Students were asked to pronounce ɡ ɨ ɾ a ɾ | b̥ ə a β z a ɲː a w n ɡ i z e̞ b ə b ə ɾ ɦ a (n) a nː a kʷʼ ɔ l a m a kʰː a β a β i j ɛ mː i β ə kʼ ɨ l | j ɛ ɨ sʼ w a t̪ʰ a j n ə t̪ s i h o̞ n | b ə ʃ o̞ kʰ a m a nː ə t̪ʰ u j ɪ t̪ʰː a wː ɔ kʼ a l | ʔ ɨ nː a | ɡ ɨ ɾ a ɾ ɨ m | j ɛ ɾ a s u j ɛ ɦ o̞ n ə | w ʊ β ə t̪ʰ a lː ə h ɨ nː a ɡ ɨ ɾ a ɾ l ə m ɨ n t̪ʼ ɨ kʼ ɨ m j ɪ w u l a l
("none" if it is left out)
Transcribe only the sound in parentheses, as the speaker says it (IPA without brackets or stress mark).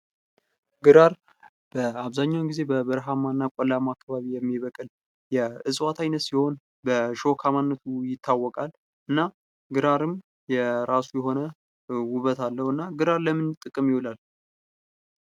m